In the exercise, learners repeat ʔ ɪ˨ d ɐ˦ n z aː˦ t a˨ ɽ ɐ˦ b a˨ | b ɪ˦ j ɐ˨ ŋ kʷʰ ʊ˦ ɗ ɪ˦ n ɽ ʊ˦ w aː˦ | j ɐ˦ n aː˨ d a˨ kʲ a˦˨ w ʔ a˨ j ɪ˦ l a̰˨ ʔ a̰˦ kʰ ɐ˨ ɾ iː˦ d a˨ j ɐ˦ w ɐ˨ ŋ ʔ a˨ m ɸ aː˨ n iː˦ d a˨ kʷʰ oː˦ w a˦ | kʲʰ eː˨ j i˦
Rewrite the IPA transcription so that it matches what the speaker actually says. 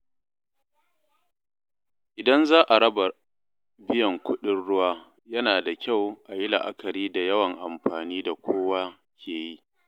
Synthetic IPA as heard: ʔ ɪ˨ d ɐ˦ n z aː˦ ʔ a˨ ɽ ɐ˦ b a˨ | b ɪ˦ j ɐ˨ ŋ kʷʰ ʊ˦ ɗ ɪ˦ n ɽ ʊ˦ w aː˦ | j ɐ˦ n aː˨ d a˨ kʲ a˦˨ w ʔ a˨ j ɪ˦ l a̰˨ ʔ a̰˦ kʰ ɐ˨ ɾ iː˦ d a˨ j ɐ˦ w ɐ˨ ŋ ʔ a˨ m ɸ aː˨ n iː˦ d a˨ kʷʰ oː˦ w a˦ | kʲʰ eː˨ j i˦